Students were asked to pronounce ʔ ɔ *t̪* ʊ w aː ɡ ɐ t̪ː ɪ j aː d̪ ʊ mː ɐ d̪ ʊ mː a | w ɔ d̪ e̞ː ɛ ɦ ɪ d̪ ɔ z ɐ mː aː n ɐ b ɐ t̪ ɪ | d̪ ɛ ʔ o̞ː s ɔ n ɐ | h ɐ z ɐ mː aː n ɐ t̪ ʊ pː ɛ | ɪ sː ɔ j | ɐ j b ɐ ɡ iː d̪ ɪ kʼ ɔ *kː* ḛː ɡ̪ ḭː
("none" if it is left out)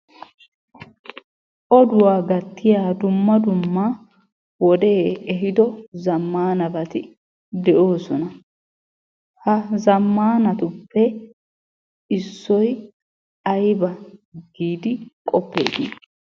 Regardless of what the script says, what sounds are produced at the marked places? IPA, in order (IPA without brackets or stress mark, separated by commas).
d̪, pː